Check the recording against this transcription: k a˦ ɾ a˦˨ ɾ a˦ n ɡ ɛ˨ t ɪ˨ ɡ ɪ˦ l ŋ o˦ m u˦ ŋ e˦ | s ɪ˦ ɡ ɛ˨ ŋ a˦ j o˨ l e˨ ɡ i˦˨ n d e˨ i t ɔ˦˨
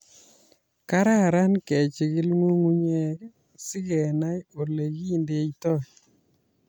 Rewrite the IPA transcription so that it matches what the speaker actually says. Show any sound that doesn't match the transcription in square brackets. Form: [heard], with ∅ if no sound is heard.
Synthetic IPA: k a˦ ɾ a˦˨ ɾ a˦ n [k] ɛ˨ [t͡ʃ] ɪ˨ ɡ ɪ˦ l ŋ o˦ [ŋ] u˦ [ɲ] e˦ | s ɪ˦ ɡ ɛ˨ [n] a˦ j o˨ l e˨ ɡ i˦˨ n d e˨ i t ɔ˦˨